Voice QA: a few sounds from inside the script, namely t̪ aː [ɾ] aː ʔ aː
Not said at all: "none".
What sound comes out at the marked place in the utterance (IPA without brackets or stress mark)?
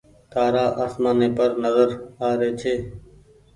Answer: ɾ